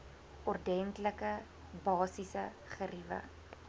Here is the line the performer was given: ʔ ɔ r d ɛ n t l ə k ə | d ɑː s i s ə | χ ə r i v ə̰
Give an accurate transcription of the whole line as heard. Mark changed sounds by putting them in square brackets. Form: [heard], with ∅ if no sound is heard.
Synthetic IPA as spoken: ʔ ɔ r d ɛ n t l ə k ə | [b] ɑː s i s ə | χ ə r i v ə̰